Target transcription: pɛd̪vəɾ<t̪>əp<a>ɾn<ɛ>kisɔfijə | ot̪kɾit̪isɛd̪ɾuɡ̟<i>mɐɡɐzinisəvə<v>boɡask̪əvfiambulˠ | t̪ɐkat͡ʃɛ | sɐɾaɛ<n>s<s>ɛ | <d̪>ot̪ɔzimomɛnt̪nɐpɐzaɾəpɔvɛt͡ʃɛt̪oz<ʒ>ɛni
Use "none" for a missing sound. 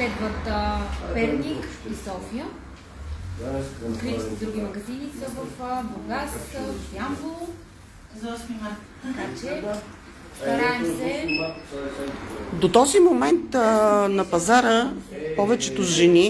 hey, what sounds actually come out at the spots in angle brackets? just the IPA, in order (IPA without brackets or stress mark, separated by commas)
t̪, ɛ, i, i, f, m, s, d̪, ʒ